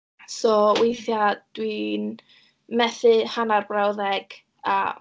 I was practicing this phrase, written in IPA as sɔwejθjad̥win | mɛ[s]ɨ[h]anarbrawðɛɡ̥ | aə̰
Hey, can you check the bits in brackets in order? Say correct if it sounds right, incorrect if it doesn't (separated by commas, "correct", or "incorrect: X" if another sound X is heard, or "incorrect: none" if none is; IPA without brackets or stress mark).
incorrect: θ, correct